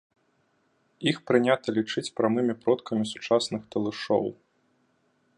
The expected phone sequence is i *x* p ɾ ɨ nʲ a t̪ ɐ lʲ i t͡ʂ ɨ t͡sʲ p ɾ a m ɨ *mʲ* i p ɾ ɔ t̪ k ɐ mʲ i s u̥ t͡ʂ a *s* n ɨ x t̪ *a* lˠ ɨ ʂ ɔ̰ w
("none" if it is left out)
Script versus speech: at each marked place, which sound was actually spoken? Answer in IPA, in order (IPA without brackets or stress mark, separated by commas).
x, mʲ, s, ɐ